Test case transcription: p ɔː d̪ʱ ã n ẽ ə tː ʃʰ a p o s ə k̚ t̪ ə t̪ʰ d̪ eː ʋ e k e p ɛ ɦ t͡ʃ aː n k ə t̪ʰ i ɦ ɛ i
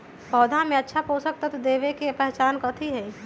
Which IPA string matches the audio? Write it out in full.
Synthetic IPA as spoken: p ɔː d̪ʱ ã m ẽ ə tː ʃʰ a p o s ə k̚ t̪ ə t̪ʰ d̪ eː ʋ e k e p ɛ ɦ t͡ʃ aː n k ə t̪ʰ i ɦ ɛ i